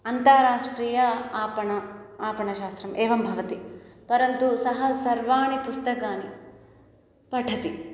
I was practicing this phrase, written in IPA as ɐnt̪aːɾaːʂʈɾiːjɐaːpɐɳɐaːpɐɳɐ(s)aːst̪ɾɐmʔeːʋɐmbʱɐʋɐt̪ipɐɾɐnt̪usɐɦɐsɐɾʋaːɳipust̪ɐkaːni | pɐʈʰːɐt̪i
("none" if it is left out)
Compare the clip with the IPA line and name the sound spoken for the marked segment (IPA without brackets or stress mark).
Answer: ʃ